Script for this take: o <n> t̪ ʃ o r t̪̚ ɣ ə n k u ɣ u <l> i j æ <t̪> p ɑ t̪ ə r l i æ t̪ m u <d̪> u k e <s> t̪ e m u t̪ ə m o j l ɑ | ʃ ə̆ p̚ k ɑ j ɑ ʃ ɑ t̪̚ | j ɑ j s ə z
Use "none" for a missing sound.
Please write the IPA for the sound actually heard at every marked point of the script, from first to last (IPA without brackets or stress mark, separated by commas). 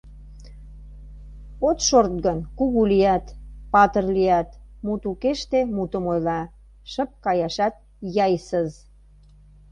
none, l, t̪, t̪, ʃ